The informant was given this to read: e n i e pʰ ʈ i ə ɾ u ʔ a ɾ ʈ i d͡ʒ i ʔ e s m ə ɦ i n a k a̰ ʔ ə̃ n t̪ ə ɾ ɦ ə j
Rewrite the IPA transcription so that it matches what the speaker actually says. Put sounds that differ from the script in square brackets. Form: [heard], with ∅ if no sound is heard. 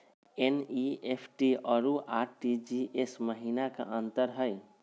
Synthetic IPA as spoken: e n i e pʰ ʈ i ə ɾ u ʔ a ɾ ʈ i d͡ʒ i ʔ e s m ə ɦ i n a k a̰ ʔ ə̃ n t̪ ə ɾ ɦ ə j